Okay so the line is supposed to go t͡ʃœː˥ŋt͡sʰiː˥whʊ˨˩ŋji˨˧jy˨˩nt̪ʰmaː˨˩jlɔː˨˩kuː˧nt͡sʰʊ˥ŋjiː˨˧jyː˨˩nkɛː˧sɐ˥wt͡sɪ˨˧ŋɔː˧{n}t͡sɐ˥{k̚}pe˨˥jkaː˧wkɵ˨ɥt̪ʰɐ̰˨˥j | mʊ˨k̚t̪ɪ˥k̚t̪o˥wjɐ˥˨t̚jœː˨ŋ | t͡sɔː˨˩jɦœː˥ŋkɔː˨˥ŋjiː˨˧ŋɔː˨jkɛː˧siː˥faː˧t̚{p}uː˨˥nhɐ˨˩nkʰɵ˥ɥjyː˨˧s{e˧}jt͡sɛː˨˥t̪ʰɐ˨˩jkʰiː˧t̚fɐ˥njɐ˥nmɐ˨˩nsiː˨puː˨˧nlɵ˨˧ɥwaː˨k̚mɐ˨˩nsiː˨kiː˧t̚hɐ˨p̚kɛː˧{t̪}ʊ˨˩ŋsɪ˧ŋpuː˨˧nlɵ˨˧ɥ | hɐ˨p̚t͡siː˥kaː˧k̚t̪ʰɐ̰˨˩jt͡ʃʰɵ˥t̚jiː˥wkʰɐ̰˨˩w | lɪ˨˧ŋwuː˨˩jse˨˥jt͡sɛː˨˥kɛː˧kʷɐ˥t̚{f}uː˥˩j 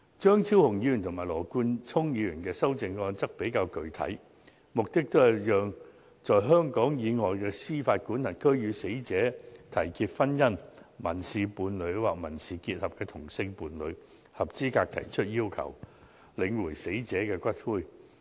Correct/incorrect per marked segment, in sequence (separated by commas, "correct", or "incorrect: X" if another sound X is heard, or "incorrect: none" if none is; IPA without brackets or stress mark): correct, correct, incorrect: k, incorrect: e˨˥, incorrect: t̪ʰ, correct